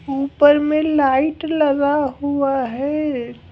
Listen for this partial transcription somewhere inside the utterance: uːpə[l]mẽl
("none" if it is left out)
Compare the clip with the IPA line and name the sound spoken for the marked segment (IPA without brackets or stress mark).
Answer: ɾ